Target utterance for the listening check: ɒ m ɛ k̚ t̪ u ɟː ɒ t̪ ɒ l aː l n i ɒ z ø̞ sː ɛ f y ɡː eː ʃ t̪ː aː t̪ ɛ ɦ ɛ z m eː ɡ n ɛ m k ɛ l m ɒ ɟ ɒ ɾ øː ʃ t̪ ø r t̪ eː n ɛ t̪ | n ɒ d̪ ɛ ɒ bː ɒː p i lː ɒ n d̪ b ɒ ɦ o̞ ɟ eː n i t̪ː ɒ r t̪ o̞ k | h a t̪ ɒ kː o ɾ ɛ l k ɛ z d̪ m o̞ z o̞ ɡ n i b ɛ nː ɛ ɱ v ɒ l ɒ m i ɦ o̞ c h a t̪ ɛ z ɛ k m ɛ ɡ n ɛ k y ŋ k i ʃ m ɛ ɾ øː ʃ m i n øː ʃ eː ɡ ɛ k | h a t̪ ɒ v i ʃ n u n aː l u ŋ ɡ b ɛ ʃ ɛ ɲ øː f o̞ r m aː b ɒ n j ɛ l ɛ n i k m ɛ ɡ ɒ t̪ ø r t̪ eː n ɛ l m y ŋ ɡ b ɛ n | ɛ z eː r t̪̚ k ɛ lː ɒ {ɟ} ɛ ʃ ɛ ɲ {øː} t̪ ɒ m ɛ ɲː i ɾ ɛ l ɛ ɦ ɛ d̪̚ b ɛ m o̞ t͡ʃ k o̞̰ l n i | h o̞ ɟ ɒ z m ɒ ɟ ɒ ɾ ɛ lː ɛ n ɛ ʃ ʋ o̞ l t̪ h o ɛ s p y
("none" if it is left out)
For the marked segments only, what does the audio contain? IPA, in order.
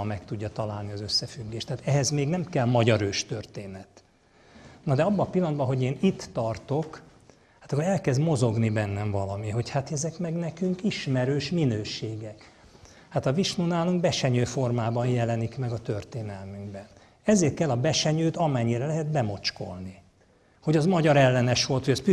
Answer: b, øː

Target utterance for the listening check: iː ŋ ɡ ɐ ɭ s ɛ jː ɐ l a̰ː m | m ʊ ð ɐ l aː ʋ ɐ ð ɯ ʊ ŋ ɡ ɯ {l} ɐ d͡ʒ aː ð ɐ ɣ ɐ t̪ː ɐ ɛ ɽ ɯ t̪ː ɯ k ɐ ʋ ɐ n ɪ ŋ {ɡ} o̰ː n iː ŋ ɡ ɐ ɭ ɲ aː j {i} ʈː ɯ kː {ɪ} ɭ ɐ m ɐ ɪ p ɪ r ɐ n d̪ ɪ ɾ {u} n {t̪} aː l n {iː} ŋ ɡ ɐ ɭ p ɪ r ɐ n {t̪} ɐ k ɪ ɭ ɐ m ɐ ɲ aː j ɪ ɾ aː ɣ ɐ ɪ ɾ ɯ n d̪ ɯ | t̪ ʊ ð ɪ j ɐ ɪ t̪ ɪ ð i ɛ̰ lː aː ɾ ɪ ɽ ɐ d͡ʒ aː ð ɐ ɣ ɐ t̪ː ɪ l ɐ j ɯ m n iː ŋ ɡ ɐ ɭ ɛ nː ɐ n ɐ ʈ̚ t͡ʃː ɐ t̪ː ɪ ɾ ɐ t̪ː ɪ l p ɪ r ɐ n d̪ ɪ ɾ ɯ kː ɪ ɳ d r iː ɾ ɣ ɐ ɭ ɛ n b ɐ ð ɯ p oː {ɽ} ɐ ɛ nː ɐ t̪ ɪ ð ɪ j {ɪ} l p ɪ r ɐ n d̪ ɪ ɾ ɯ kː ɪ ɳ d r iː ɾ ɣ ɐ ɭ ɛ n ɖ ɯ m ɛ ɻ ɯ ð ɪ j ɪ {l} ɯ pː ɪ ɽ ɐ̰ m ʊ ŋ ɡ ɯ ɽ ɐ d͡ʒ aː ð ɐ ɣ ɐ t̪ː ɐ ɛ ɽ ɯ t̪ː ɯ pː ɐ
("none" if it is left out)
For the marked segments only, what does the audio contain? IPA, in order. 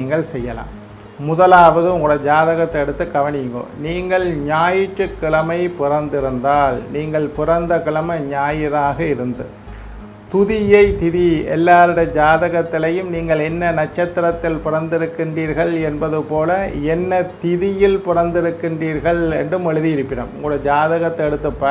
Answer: ɽ, ɡ, ɪ, ɪ, ɯ, d̪, iː, d̪, l, ɪ, ɾ

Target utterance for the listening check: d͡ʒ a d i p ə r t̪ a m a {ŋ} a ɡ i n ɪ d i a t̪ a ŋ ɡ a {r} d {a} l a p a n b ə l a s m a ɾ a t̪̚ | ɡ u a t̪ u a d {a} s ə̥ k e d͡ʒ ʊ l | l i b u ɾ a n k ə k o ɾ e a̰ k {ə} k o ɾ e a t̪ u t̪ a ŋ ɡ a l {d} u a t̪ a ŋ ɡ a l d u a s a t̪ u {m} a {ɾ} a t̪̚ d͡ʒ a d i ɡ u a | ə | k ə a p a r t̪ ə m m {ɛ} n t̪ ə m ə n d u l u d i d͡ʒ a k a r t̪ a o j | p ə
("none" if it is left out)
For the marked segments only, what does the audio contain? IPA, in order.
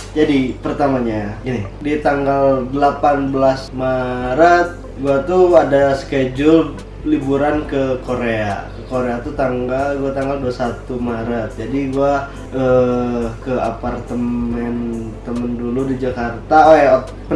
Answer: ɲ, l, ə, a, ə, ɡ, m, ɾ, ɛ

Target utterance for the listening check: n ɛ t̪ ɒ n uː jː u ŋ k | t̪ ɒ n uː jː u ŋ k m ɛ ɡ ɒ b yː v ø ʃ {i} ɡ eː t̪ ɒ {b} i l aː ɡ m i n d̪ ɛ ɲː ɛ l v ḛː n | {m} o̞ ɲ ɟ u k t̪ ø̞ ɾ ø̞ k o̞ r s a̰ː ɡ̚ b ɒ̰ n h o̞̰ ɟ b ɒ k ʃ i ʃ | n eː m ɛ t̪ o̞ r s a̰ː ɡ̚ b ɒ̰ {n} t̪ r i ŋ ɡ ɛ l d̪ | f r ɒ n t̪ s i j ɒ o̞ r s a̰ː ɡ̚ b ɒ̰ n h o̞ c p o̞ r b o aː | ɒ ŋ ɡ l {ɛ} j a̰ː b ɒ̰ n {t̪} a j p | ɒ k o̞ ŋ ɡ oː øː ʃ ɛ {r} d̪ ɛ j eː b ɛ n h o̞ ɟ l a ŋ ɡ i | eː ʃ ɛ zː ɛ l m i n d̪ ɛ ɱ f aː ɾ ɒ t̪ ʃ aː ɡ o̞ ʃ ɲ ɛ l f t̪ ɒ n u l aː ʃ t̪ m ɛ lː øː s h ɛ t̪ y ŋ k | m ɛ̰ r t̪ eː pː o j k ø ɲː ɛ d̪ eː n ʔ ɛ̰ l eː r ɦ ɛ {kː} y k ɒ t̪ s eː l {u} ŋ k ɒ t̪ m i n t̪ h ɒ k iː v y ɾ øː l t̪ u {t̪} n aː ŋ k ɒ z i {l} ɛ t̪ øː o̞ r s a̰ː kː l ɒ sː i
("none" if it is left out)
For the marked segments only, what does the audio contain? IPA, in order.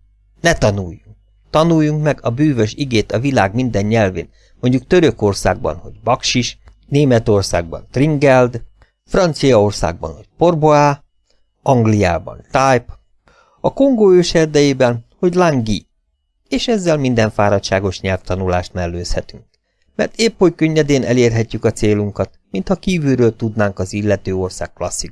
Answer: i, v, m, n, i, t̪, r, cː, u, d̪, lː

